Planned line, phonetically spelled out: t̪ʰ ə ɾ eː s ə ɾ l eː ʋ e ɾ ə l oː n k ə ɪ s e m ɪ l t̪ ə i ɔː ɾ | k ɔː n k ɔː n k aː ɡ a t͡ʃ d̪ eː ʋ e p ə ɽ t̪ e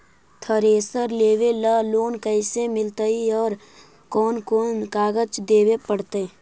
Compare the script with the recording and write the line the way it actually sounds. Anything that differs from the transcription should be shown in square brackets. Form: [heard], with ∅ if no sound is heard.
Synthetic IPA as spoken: t̪ʰ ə ɾ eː s ə ɾ l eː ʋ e [l] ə l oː n k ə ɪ s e m ɪ l t̪ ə i ɔː ɾ | k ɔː n k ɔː n k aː ɡ [ə] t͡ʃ d̪ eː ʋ e p ə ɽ t̪ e